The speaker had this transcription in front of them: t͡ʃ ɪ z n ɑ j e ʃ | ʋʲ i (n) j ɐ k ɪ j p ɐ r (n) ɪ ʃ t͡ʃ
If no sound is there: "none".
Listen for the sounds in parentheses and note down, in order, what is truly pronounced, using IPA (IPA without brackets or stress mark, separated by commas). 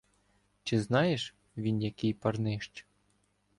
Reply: n, n